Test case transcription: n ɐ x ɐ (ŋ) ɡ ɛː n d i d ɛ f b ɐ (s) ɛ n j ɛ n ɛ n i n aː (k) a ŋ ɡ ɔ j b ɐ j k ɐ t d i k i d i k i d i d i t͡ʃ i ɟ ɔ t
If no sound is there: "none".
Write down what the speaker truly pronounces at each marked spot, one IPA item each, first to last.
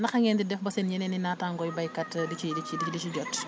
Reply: ŋ, s, t

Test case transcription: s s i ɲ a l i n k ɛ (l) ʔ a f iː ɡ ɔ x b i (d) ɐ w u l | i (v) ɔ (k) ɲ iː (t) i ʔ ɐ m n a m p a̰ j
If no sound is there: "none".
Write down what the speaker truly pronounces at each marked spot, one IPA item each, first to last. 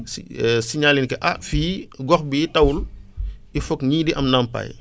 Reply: none, t, f, k, d

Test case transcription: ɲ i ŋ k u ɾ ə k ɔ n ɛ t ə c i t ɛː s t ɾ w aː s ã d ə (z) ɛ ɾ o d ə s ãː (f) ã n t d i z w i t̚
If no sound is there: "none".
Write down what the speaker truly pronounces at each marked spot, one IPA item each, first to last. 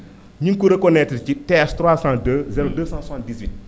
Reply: z, s

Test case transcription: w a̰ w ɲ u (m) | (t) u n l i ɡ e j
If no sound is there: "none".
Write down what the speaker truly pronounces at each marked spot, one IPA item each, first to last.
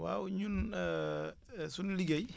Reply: n, s

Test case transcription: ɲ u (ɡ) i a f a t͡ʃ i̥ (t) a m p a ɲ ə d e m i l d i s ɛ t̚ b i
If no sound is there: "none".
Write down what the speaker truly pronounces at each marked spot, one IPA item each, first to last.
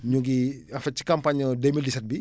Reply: ɡ, k

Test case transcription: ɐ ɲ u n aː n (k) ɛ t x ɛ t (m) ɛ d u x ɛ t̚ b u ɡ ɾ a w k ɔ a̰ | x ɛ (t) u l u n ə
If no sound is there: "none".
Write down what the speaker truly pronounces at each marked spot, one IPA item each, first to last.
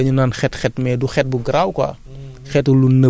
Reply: x, m, t

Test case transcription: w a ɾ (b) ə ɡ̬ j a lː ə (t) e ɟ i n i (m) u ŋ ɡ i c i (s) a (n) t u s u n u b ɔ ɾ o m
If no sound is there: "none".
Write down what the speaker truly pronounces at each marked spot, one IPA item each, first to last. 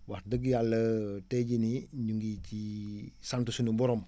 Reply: d, t, ɲ, s, n

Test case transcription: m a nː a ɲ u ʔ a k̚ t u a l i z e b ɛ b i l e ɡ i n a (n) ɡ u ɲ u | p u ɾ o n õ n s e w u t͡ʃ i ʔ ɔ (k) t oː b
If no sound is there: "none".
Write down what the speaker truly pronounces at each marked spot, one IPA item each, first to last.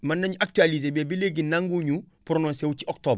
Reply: ŋ, k

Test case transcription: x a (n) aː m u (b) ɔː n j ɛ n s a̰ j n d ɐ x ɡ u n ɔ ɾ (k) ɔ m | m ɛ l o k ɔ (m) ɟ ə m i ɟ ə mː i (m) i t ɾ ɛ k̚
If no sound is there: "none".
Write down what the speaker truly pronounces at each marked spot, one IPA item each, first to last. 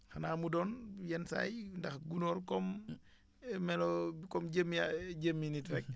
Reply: n, d, k, m, n

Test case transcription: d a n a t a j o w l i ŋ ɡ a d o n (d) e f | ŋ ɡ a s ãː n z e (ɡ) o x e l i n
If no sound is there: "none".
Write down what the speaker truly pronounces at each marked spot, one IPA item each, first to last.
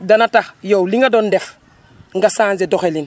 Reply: d, d

